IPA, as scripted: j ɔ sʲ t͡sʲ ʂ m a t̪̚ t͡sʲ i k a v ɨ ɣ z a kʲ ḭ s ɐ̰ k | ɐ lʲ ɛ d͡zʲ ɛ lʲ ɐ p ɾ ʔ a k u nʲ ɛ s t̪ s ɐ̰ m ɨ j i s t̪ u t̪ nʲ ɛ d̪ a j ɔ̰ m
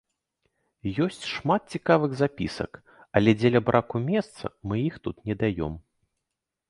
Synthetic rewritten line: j ɔ sʲ t͡sʲ ʂ m a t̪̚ t͡sʲ i k a v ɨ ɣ z a pʲ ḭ s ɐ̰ k | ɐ lʲ ɛ d͡zʲ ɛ lʲ ɐ b ɾ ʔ a k u mʲ ɛ s t̪ s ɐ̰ m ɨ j i x t̪ u t̪ nʲ ɛ d̪ a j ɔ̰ m